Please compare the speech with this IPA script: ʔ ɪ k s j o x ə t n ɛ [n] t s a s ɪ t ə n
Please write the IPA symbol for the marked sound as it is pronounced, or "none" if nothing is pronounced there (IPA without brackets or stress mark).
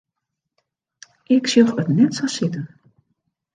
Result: none